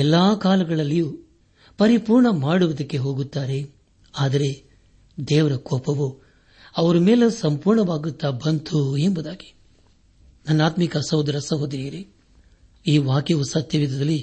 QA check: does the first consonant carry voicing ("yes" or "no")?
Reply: yes